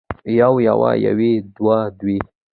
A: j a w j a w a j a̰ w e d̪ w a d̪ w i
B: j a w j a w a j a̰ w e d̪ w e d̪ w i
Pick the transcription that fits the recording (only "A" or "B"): A